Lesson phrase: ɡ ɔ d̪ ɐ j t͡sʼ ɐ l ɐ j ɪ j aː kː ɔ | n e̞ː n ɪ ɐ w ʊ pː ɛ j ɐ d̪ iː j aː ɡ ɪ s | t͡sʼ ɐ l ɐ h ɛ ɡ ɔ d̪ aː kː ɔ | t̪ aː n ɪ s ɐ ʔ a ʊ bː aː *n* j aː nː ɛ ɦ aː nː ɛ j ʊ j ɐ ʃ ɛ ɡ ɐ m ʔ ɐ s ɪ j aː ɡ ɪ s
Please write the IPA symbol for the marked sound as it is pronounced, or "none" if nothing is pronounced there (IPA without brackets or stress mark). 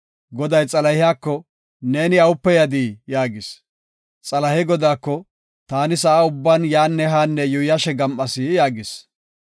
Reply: n